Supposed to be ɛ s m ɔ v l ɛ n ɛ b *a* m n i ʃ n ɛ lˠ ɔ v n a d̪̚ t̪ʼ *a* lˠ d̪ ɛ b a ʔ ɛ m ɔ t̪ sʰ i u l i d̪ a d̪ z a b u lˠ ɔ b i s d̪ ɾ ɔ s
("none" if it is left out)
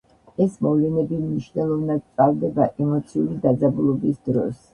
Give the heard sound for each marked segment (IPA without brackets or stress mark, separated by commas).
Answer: i, a